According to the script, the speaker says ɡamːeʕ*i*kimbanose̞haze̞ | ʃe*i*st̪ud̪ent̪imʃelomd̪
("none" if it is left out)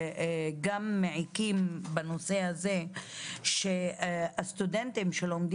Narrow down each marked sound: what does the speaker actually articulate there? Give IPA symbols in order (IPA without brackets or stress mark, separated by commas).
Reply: i, a